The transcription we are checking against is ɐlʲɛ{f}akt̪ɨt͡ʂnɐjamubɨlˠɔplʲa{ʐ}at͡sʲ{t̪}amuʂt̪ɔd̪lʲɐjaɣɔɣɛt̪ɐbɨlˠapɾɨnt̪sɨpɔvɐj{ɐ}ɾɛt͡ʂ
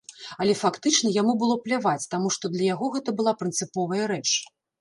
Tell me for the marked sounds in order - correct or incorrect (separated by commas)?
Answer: correct, incorrect, correct, correct